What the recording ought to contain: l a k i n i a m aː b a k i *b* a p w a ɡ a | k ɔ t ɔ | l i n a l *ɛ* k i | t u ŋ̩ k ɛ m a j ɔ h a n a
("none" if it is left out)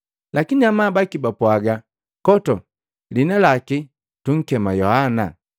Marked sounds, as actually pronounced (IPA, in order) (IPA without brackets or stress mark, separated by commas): b, a